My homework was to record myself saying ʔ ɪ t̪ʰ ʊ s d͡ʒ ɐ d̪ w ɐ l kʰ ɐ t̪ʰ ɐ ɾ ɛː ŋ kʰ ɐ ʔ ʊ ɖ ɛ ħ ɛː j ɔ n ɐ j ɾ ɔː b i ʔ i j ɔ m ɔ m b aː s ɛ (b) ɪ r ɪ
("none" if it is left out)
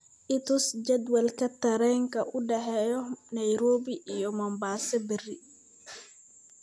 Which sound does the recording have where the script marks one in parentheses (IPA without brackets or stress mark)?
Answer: b